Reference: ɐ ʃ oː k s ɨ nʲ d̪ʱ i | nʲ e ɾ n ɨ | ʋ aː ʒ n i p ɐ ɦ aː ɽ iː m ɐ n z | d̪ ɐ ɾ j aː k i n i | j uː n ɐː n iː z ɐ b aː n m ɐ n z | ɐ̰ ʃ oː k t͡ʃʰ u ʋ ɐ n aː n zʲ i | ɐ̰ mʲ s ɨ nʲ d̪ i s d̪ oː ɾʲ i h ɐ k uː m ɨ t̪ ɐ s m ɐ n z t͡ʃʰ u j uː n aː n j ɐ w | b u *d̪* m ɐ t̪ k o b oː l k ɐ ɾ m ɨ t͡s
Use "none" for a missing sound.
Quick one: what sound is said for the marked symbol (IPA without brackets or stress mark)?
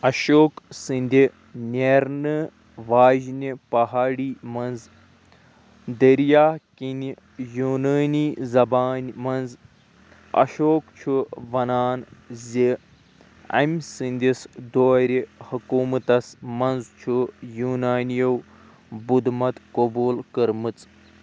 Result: d̪